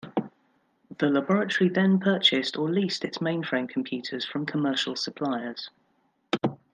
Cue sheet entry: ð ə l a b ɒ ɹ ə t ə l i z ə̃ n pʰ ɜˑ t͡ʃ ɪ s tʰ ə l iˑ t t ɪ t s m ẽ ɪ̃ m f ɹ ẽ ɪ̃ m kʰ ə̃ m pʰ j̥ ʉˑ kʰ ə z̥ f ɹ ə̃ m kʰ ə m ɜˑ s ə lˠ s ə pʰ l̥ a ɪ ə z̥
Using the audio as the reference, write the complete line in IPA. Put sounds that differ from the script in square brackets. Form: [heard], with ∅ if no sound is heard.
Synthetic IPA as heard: ð ə l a b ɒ ɹ ə t ə [ɹ] i [ð] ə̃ n pʰ ɜˑ t͡ʃ ɪ s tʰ ə l iˑ [s] t ɪ t s m ẽ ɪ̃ [n] f ɹ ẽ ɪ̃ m kʰ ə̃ m pʰ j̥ ʉˑ [tʰ] ə z̥ f ɹ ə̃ m kʰ ə m ɜˑ [ʃ] ə lˠ s ə pʰ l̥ a ɪ ə z̥